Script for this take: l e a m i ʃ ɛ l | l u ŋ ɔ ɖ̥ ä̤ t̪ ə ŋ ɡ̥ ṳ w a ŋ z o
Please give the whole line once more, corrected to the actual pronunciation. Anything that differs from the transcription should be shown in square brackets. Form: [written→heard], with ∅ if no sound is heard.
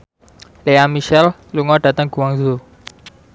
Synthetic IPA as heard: l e a m i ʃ ɛ l | l u ŋ ɔ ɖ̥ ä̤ t̪ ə ŋ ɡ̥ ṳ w a ŋ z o